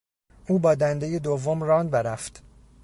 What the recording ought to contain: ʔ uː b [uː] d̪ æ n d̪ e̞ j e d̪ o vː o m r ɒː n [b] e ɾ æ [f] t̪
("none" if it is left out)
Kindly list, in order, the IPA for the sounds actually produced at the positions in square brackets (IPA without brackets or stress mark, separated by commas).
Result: ɒː, b, f